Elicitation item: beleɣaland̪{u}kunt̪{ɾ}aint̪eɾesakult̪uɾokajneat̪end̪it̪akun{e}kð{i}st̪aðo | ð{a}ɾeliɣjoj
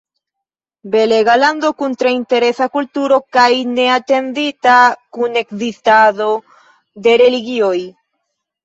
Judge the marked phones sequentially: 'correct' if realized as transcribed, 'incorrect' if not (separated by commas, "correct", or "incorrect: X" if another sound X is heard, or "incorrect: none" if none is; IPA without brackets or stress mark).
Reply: incorrect: o, correct, correct, correct, incorrect: e